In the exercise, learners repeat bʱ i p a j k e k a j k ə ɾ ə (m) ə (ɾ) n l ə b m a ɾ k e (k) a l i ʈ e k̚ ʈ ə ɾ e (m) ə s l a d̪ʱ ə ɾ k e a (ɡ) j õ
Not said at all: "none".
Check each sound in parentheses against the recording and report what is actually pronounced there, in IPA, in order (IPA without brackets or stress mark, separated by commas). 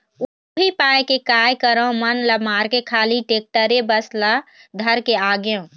m, none, kʰ, b, ɡ